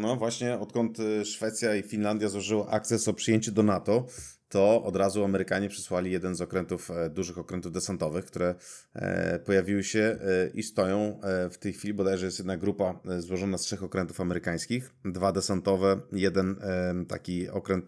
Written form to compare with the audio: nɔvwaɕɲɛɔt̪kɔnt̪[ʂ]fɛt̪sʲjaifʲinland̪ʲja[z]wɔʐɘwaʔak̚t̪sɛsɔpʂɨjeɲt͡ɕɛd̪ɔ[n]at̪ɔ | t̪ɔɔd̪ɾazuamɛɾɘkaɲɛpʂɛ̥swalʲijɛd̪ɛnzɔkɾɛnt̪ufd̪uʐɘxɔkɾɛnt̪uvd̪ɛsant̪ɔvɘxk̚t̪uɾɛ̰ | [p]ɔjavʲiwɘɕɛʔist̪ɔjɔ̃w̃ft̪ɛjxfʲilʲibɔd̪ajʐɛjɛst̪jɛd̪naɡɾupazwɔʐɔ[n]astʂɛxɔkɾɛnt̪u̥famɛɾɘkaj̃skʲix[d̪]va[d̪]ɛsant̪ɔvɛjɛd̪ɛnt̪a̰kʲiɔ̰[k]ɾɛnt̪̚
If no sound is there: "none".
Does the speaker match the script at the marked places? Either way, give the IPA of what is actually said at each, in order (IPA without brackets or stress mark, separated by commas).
ʂ, z, n, p, n, d̪, d̪, k